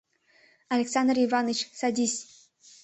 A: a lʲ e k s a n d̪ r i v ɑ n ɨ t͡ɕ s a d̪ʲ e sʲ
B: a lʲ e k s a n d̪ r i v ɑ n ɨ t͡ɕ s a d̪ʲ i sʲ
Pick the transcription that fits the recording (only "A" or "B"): B